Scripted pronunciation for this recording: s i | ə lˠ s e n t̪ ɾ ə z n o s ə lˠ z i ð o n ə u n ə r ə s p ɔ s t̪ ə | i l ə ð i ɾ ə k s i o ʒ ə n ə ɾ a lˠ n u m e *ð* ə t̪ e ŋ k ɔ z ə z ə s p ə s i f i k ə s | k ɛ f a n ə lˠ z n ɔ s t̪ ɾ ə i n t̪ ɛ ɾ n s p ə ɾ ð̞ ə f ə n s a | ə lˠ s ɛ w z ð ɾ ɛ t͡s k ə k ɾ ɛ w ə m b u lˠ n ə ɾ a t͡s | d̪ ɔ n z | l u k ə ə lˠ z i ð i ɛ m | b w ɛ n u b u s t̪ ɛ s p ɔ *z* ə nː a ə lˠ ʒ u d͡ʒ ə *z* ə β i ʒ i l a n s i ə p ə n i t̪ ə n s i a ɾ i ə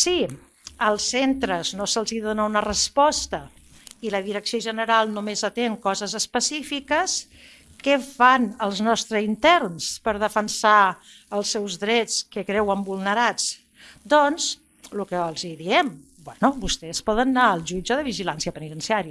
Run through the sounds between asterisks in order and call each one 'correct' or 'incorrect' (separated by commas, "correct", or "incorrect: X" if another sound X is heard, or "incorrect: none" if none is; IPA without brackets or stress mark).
incorrect: z, incorrect: ð, incorrect: ð